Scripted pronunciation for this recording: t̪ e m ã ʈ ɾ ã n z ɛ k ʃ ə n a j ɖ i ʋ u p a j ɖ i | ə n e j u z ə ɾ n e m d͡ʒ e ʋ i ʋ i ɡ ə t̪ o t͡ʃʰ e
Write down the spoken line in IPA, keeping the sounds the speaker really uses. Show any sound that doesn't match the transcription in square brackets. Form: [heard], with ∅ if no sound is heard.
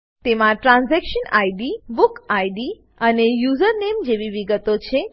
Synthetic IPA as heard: t̪ e m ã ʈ ɾ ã n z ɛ k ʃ ə n a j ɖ i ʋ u [k] a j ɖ i | ə n e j u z ə ɾ n e m d͡ʒ e ʋ i ʋ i ɡ ə t̪ o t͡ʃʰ e